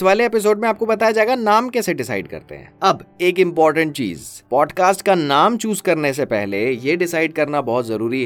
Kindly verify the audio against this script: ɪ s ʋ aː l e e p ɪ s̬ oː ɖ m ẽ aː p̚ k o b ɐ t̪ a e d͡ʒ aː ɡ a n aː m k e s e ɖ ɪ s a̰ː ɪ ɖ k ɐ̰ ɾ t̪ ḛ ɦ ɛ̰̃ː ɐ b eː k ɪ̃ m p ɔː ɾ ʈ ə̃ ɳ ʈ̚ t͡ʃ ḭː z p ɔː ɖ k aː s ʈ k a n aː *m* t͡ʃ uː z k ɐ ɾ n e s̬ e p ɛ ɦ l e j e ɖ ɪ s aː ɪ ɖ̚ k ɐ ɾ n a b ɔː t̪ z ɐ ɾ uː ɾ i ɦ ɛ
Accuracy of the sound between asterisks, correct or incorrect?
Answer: correct